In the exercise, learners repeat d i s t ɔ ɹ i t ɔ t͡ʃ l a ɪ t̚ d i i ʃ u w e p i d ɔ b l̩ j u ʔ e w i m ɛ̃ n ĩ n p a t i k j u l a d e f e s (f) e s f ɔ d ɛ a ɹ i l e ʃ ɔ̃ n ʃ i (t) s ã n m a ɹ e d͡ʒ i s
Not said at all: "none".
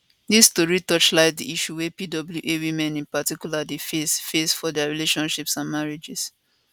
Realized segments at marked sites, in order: f, p

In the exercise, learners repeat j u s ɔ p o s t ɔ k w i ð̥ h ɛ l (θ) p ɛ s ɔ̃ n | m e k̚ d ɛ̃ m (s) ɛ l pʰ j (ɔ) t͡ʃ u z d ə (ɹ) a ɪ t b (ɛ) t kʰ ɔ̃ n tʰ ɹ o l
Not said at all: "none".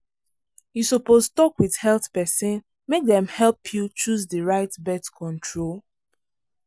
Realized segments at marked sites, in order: θ, h, u, ɹ, ɛ

